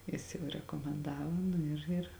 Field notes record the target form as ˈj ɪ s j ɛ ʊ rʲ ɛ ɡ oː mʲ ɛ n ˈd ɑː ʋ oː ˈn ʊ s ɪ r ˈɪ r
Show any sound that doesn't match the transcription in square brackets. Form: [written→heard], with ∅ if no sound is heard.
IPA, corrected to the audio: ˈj ɪ s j ɛ ʊ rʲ ɛ [ɡ→k] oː mʲ ɛ n ˈd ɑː ʋ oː ˈn ʊ [s→∅] ɪ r ˈɪ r